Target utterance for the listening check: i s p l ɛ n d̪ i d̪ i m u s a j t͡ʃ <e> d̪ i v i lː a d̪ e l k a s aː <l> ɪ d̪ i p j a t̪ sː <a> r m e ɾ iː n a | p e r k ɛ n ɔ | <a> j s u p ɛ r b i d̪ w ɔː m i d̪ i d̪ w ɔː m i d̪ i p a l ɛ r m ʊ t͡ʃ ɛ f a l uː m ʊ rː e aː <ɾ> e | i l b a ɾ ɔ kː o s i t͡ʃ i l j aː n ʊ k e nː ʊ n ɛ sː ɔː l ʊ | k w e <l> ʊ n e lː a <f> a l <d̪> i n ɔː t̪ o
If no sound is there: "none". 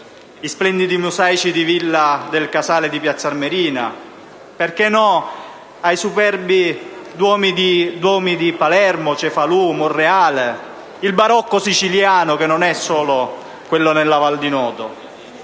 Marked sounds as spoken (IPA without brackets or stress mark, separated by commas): i, l, a, a, l, lː, v, d̪